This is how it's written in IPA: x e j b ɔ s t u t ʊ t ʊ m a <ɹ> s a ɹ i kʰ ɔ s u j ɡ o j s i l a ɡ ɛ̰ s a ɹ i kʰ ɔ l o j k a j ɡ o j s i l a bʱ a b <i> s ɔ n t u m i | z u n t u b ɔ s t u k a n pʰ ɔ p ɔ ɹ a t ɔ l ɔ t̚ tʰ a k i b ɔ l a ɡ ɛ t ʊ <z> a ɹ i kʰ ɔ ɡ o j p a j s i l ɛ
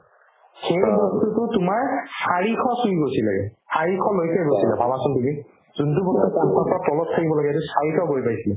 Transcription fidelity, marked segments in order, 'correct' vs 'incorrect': correct, incorrect, incorrect

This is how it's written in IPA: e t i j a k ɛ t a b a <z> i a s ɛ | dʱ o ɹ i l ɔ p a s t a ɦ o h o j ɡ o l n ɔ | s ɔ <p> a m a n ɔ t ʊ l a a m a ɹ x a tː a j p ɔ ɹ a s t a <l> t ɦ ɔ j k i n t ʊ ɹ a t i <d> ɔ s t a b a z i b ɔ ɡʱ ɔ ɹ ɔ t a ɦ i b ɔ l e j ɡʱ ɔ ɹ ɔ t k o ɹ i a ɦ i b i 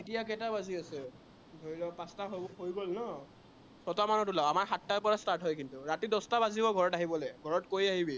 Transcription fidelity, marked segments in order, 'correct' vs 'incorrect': correct, incorrect, incorrect, correct

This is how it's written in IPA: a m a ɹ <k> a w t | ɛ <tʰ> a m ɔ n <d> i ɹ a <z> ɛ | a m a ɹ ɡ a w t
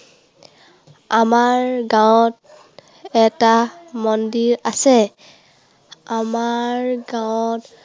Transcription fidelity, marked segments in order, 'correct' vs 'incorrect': incorrect, incorrect, correct, incorrect

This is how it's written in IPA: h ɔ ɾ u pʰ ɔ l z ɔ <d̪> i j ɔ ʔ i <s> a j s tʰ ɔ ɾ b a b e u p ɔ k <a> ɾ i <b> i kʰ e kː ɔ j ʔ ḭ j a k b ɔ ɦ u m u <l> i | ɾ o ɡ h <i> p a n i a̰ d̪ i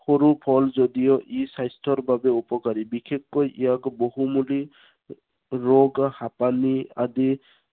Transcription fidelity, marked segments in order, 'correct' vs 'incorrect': correct, correct, correct, correct, correct, incorrect

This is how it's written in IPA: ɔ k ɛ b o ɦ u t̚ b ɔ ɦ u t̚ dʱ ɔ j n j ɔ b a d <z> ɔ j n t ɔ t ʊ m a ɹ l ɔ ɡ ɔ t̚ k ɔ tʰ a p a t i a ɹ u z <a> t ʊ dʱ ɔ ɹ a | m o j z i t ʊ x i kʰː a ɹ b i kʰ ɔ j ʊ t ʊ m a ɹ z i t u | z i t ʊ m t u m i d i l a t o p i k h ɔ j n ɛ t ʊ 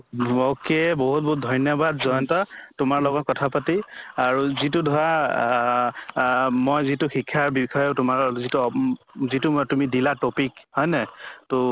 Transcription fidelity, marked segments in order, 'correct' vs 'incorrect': correct, incorrect

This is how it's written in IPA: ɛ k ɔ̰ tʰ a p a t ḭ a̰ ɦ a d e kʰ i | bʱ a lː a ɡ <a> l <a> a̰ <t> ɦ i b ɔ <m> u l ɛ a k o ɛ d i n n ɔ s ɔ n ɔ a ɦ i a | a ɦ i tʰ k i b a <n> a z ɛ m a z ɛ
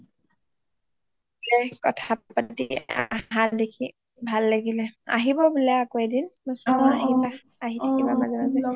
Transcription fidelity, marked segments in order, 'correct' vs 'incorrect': incorrect, incorrect, incorrect, incorrect, incorrect

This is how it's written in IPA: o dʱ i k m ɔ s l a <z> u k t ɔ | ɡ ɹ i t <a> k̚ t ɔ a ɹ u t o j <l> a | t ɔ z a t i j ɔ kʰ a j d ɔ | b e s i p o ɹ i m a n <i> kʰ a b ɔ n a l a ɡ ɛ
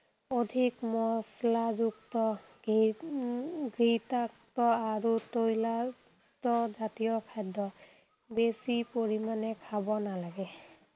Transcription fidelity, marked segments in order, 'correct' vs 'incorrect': correct, correct, correct, incorrect

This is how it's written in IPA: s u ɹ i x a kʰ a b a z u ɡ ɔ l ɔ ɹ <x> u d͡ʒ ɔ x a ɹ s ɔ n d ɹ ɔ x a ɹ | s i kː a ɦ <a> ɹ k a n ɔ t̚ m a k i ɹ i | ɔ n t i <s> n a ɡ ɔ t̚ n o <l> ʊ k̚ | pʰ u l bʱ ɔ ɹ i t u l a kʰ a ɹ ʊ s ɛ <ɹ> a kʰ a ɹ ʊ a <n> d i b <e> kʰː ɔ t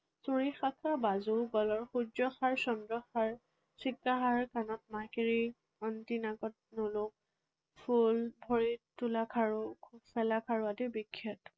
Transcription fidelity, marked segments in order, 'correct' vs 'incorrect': correct, correct, incorrect, correct, incorrect, incorrect, incorrect

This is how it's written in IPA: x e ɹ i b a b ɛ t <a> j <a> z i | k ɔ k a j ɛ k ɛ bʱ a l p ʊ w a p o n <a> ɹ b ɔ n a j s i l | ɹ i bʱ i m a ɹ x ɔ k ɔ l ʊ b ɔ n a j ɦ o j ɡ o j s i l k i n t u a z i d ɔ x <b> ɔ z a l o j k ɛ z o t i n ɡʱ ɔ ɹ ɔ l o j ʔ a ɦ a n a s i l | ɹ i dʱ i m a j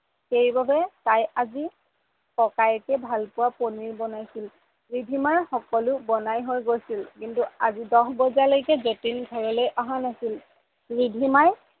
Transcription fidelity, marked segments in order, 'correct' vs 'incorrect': correct, correct, incorrect, correct

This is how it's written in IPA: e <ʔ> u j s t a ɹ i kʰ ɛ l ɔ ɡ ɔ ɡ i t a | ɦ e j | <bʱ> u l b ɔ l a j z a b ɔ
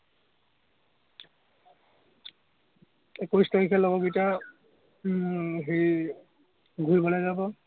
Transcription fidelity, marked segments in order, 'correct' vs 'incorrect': incorrect, incorrect

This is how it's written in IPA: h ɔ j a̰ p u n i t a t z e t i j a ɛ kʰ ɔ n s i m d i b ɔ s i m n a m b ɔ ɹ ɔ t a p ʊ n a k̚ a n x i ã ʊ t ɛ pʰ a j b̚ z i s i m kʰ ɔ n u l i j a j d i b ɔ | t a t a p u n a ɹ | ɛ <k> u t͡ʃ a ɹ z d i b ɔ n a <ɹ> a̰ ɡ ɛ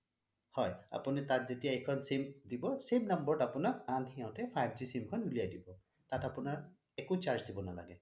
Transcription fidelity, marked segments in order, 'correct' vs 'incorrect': correct, incorrect

